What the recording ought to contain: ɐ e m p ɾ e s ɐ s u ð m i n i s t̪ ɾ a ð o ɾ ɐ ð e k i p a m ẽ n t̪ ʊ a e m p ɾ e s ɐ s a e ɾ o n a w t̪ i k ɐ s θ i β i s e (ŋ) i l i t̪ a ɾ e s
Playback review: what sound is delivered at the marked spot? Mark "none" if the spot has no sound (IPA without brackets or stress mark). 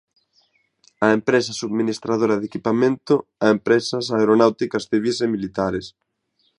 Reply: m